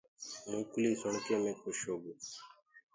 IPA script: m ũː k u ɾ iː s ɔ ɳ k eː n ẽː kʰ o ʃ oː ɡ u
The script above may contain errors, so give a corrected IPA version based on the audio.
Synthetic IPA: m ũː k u l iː s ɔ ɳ k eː m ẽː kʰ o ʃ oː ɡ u